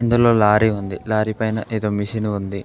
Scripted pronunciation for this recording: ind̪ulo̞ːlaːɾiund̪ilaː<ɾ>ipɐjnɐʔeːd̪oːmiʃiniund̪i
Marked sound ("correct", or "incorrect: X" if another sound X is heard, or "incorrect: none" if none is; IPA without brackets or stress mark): correct